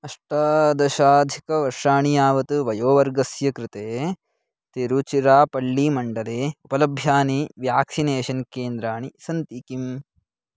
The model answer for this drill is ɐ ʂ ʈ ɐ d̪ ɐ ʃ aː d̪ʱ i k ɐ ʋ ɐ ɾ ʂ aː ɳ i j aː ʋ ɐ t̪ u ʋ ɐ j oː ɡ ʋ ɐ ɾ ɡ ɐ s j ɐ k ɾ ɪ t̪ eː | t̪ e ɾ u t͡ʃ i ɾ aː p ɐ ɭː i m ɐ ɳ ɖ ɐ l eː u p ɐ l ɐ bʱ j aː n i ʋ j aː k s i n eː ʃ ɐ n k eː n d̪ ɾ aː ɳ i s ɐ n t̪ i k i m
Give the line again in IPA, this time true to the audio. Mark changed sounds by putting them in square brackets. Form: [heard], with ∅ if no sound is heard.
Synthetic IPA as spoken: ɐ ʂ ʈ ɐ d̪ ɐ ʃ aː d̪ʱ i k ɐ ʋ ɐ ɾ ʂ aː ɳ i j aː ʋ ɐ t̪ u ʋ ɐ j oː [∅] ʋ ɐ ɾ ɡ ɐ s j ɐ k ɾ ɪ t̪ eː | t̪ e ɾ u t͡ʃ i ɾ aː p ɐ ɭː i m ɐ ɳ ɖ ɐ l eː u p ɐ l ɐ bʱ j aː n i ʋ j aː k s i n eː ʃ ɐ n k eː n d̪ ɾ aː ɳ i s ɐ n t̪ i k i m